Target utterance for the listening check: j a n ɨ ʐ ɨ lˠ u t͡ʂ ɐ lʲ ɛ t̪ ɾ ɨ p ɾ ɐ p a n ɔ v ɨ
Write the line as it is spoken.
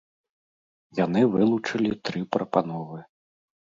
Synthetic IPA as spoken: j a n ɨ v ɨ lˠ u t͡ʂ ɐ lʲ i t̪ ɾ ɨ p ɾ ɐ p a n ɔ v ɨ